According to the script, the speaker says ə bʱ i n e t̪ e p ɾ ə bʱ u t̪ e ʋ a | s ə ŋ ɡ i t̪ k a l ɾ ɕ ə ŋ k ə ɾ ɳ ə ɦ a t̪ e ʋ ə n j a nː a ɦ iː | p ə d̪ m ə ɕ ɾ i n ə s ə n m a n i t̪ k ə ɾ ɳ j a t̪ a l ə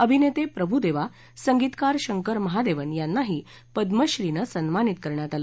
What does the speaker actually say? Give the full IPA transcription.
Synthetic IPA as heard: ə bʱ i n e t̪ e p ɾ ə bʱ u d̪ e ʋ a | s ə ŋ ɡ i t̪ k a ɾ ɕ ə ŋ k ə ɾ m ə ɦ a d̪ e ʋ ə n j a nː a ɦ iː | p ə d̪ m ə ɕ ɾ i n ə s ə n m a n i t̪ k ə ɾ ɳ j a t̪ a l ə